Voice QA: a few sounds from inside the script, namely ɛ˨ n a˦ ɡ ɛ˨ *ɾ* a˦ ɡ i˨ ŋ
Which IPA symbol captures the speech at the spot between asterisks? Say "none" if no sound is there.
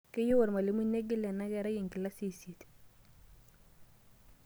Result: ɾ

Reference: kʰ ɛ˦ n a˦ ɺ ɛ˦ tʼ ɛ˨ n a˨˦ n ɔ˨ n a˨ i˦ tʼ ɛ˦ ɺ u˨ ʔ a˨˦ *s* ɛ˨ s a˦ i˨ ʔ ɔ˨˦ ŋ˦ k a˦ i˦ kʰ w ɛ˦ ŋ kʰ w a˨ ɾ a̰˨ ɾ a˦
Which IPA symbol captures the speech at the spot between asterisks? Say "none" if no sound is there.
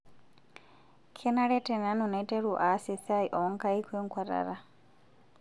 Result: s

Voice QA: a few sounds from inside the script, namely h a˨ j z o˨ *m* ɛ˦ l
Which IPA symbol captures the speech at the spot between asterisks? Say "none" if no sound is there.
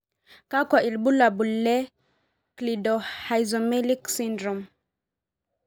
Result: m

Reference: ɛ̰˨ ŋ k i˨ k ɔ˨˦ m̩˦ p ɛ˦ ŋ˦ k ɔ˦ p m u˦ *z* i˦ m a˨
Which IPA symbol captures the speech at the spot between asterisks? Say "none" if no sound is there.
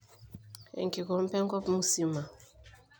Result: s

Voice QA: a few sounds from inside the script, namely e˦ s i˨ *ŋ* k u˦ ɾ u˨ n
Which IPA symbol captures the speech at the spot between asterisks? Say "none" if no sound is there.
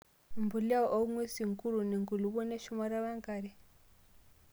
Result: ŋ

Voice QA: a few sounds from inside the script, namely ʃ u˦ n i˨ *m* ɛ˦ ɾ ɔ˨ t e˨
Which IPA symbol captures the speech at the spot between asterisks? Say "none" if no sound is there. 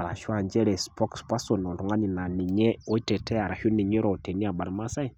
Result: ɲ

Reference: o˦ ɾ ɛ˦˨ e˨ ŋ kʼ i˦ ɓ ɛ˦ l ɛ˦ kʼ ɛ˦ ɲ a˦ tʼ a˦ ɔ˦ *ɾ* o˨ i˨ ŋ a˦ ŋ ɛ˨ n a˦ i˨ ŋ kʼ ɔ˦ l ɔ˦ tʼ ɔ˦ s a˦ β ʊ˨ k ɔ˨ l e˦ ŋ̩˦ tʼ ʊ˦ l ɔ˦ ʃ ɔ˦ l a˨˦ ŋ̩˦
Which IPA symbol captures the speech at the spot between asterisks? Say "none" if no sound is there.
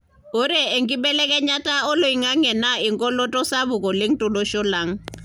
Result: l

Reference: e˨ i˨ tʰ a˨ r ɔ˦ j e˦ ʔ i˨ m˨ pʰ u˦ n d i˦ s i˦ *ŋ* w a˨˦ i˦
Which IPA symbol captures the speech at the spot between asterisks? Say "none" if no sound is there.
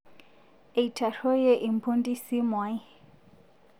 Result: m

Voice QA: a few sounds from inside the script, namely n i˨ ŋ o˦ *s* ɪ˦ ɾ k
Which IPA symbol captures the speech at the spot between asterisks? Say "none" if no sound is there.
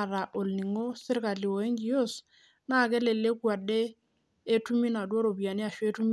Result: s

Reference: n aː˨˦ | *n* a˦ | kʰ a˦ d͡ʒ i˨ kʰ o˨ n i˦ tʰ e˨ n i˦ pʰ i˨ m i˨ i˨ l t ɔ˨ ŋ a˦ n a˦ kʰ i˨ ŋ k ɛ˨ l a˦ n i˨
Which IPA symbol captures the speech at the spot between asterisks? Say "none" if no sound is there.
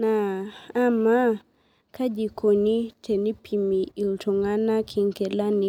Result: m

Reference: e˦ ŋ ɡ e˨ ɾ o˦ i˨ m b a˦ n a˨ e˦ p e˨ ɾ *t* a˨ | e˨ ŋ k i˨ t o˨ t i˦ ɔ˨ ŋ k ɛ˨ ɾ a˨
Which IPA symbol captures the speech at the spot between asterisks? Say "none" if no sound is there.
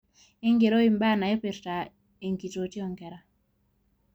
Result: t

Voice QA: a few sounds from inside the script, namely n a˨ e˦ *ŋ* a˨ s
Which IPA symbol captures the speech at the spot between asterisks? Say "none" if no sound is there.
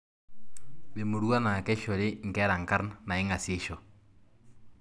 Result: ŋ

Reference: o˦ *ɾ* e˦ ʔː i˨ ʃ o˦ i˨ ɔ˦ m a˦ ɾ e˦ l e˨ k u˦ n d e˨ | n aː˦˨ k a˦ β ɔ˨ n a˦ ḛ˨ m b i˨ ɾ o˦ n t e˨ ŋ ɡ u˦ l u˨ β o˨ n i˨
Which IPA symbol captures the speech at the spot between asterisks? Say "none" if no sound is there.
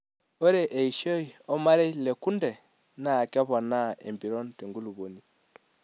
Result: ɾ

